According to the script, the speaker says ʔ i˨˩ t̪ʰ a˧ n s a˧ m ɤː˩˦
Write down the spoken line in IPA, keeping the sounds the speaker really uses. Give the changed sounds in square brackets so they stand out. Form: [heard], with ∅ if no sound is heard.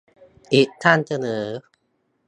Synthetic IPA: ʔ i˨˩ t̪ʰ [a˥˩] n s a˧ [n] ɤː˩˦